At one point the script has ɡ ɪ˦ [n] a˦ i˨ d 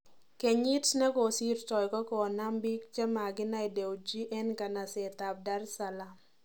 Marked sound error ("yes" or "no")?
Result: no